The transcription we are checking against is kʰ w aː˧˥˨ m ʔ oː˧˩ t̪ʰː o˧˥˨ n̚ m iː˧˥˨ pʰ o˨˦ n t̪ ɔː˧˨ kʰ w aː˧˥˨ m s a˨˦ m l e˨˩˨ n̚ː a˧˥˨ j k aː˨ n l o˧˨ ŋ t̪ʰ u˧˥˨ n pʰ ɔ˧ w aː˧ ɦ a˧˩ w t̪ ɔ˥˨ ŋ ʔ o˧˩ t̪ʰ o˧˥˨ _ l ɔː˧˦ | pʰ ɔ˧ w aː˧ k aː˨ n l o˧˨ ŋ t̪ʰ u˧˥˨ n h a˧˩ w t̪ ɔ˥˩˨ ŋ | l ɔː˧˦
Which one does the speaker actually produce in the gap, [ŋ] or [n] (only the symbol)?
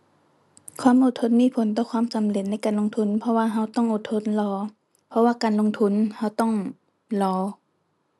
n